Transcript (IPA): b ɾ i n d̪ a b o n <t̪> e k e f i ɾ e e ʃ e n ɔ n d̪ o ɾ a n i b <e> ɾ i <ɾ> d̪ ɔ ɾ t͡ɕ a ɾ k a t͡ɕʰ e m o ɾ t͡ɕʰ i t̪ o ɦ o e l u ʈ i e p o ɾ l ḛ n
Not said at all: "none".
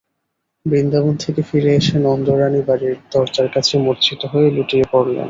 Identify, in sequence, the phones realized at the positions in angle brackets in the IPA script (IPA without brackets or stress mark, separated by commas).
t̪ʰ, a, ɾ